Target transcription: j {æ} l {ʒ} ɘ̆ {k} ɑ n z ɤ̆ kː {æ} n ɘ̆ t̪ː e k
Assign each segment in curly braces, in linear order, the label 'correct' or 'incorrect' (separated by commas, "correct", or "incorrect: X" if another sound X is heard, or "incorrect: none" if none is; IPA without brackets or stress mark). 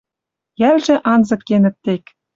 correct, correct, incorrect: ʔ, incorrect: e